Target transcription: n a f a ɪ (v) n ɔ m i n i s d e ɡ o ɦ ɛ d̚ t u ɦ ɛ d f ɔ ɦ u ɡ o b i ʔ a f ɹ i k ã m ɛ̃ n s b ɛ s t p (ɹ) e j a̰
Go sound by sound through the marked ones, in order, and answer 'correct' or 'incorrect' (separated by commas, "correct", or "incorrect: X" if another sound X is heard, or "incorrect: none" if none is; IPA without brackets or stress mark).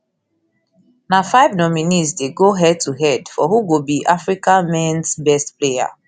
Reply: correct, incorrect: l